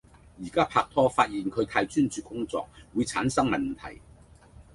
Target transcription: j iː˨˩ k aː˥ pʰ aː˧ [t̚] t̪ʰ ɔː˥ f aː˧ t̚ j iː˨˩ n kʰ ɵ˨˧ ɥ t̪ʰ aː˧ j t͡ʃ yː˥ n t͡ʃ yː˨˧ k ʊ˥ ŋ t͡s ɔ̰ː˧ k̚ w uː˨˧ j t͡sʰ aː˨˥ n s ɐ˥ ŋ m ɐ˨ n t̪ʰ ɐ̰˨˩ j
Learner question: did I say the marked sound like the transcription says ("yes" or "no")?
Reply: no